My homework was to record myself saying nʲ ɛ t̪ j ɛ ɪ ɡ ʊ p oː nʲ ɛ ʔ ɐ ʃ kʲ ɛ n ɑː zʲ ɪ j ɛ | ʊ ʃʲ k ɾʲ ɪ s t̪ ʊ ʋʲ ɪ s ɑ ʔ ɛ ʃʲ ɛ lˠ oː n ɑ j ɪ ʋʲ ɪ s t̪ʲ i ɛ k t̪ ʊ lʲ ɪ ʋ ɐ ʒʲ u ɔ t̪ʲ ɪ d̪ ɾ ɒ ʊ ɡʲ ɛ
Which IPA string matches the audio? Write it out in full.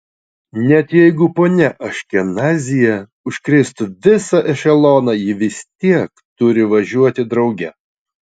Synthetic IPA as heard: nʲ ɛ t̪ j ɛ ɪ ɡ ʊ p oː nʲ ɛ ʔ ɐ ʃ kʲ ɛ n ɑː zʲ ɪ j ɛ | ʊ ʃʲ k ɾʲ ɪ s t̪ ʊ ʋʲ ɪ s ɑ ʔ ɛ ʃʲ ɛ lˠ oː n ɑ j ɪ ʋʲ ɪ s t̪ʲ i ɛ k t̪ ʊ ɾʲ ɪ ʋ ɐ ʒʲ u ɔ t̪ʲ ɪ d̪ ɾ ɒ ʊ ɡʲ ɛ